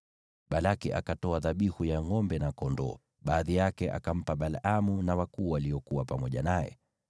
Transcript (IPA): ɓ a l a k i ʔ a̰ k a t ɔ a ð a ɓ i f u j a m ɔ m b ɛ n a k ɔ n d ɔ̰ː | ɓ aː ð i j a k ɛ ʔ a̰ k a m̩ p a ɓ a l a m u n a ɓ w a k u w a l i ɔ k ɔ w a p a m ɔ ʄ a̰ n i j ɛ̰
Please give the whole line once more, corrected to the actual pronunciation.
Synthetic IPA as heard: ɓ a l a k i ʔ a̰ k a t ɔ a ð a ɓ i h u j a ŋ ɔ m b ɛ n a k ɔ n d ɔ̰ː | ɓ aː ð i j a k ɛ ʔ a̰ k a m̩ p a ɓ a l a m u n a w a k uː w a l i ɔ k u w a p a m ɔ ʄ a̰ n a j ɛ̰